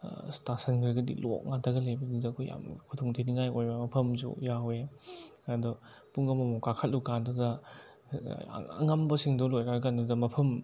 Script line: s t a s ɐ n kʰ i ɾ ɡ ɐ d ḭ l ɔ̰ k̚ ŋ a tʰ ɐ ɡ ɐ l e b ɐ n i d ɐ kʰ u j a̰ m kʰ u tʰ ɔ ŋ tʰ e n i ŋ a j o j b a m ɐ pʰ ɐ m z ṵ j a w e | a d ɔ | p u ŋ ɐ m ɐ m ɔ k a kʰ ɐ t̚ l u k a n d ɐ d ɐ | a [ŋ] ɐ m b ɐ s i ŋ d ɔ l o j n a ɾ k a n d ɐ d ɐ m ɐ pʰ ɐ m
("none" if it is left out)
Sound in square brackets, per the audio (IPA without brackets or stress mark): ŋ